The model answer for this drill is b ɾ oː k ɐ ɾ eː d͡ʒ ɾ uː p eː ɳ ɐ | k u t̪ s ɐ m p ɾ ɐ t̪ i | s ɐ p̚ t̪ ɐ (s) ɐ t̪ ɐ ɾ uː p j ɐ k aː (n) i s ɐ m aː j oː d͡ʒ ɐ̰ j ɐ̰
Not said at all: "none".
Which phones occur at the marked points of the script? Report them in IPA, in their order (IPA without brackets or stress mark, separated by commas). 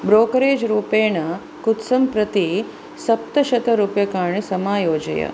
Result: ʃ, ɳ